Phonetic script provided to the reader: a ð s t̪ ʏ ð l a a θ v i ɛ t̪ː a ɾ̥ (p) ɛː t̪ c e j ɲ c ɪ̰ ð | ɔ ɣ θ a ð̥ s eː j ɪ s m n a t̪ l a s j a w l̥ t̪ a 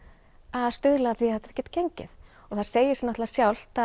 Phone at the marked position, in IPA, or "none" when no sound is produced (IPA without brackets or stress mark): c